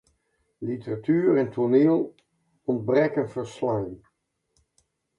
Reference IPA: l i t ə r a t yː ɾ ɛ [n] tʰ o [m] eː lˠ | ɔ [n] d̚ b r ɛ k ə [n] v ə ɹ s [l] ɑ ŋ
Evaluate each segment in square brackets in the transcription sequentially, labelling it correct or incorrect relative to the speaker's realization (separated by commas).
correct, incorrect, correct, correct, correct